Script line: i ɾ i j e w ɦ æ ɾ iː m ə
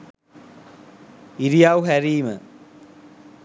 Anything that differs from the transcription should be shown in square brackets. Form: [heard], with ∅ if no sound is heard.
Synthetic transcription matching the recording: i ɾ i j [a] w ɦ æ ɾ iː m ə